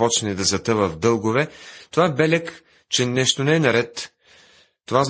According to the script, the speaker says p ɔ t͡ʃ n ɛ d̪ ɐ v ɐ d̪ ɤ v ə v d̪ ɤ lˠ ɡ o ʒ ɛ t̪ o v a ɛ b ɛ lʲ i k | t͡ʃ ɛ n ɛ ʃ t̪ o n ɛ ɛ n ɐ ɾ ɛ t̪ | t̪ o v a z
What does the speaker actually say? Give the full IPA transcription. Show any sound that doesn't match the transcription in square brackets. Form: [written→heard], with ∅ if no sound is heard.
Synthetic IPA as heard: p ɔ t͡ʃ n ɛ d̪ ɐ [v→z] ɐ [d̪→t̪] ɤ v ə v d̪ ɤ lˠ ɡ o [ʒ→v] ɛ t̪ o v a ɛ b ɛ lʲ [i→ɛ] k | t͡ʃ ɛ n ɛ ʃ t̪ o n ɛ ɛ n ɐ ɾ ɛ t̪ | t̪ o v a z